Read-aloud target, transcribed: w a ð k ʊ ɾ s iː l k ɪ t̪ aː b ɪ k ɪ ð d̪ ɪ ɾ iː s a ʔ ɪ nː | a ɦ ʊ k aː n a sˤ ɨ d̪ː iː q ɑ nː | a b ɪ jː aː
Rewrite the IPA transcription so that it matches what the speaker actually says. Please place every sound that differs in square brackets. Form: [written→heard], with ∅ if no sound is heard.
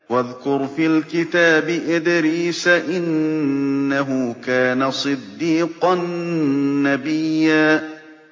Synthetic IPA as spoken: w a ð k ʊ ɾ [s→f] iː l k ɪ t̪ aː b ɪ [k→ʔ] ɪ [ð→∅] d̪ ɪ ɾ iː s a ʔ ɪ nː | a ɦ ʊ k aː n a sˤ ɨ d̪ː iː q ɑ nː | a b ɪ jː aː